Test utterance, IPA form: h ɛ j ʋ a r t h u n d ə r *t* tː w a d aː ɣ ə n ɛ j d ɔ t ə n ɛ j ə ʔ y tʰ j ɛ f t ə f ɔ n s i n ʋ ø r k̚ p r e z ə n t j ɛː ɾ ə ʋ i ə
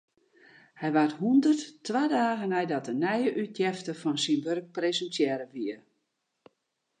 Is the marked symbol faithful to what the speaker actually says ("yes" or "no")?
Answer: yes